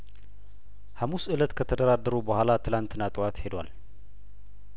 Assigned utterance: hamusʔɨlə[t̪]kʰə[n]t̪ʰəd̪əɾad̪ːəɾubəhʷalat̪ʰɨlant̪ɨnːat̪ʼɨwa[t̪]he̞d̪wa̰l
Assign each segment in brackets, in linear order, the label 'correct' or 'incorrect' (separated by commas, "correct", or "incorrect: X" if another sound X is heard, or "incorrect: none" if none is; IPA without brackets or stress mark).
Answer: correct, incorrect: none, correct